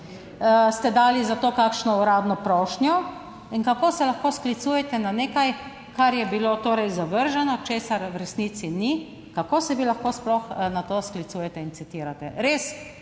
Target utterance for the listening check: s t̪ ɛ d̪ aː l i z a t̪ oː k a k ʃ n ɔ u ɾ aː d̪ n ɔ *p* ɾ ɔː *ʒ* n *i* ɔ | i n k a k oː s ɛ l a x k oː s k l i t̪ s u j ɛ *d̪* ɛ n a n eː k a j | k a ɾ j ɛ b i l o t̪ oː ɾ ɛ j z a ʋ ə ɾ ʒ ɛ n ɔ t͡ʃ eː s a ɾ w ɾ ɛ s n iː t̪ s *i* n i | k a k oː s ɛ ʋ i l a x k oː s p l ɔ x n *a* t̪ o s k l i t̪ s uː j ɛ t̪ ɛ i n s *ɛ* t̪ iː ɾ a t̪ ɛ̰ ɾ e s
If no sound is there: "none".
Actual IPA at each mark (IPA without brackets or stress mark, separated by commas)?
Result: p, ʃ, j, t̪, i, a, i